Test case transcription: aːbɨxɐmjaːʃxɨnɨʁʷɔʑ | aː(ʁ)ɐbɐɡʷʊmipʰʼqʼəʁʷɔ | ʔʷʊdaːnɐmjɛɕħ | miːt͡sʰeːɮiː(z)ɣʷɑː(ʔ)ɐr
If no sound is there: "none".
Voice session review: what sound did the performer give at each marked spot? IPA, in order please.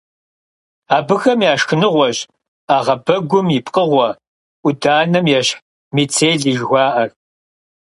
ʁ, ʒ, ʔ

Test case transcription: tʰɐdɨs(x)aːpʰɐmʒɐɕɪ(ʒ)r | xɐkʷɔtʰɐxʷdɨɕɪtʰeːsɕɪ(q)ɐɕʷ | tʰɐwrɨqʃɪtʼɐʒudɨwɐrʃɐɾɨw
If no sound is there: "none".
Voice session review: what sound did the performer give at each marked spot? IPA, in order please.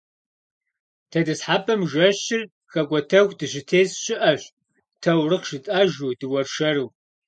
ħ, none, ʔ

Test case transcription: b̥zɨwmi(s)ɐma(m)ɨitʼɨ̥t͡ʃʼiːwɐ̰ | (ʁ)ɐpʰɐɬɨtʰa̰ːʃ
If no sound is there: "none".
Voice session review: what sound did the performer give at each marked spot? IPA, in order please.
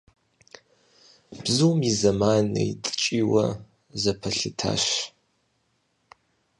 z, n, z

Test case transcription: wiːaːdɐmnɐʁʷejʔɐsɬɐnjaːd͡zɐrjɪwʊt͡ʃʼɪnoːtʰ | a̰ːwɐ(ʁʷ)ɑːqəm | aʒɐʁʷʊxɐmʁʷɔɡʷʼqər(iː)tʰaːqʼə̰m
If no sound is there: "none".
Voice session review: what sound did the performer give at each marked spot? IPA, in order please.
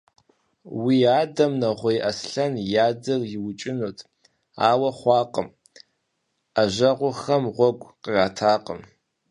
χʷ, aː

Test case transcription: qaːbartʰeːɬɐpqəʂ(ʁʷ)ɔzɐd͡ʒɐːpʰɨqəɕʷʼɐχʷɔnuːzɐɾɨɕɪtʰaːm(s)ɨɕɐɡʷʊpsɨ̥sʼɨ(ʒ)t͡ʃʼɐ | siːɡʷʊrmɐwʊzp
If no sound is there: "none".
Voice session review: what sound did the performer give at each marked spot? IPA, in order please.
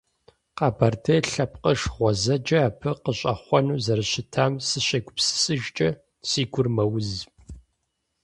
ʁʷ, s, ʒ

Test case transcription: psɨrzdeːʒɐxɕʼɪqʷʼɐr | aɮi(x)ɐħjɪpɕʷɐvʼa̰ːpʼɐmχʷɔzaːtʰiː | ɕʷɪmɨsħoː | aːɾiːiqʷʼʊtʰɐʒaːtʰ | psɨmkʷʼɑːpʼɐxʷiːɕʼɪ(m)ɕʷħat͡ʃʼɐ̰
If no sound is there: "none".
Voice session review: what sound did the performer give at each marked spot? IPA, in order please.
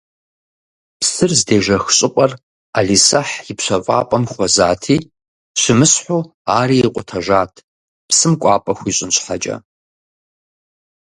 s, n

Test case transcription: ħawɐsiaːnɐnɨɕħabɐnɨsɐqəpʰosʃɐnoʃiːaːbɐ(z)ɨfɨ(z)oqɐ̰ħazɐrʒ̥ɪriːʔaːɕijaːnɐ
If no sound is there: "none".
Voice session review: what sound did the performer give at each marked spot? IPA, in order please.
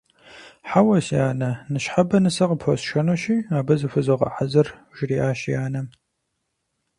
z, z

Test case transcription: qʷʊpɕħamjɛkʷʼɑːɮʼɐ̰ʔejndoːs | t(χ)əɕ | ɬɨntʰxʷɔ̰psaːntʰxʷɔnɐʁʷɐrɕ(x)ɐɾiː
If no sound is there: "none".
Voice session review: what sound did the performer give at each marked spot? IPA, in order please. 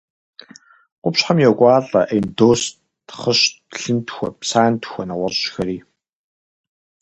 χ, x

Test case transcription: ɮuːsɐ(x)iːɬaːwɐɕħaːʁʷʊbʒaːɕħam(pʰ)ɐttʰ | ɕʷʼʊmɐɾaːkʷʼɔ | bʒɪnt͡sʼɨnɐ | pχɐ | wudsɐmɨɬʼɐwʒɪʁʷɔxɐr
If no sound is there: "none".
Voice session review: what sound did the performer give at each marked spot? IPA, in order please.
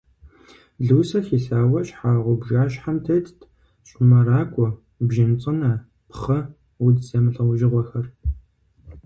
x, tʰ

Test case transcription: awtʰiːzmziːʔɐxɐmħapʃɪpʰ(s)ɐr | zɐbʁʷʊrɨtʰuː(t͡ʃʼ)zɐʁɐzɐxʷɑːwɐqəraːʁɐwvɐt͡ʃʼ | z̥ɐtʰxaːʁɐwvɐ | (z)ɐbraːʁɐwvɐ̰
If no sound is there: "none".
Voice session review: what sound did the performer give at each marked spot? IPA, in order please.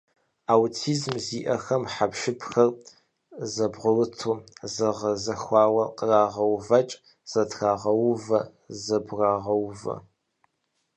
x, none, z

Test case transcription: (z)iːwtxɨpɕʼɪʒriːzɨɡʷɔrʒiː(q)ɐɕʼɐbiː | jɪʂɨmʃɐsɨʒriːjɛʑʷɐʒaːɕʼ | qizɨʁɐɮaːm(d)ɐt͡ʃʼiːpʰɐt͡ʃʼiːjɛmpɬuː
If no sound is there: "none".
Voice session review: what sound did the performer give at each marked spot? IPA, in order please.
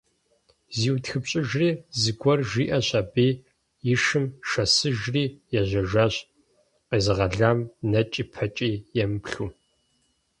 z, ʔ, n

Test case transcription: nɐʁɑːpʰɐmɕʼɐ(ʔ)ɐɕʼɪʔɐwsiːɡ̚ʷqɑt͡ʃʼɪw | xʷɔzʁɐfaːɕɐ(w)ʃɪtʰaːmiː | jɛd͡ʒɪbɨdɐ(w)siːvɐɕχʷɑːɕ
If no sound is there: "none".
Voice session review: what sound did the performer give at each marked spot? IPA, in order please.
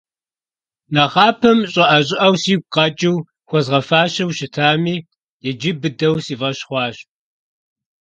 ʔ, w, w

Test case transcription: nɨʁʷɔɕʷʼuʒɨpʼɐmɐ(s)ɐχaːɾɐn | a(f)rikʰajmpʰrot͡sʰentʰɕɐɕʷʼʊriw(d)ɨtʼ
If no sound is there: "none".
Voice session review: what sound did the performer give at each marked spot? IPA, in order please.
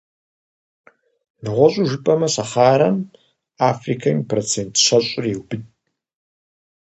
s, f, b

